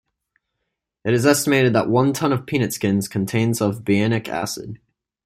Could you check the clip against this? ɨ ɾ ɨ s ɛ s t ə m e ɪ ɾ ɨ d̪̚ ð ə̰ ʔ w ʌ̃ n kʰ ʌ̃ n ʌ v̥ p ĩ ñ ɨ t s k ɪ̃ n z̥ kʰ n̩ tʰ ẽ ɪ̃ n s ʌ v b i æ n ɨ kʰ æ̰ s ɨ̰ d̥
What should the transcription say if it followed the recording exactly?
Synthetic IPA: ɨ ɾ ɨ z ɛ s t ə m e ɪ ɾ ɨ d̪̚ ð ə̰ ʔ w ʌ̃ n tʰ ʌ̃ n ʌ v̥ pʰ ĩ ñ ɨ t s k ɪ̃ n z̥ kʰ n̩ tʰ ẽ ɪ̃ n z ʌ v b i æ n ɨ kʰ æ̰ s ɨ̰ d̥